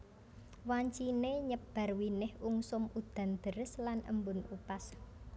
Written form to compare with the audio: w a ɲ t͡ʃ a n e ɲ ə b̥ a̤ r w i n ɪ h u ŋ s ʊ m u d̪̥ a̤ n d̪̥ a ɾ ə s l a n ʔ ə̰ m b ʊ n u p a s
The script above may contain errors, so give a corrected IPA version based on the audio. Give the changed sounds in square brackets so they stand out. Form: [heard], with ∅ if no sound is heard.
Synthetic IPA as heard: w a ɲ t͡ʃ [i] n e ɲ ə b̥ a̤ r w i n ɪ h u ŋ s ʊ m u d̪̥ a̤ n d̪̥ [ə] ɾ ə s l a n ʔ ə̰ m b ʊ n u p a s